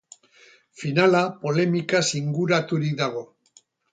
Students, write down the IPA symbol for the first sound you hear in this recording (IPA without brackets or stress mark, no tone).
f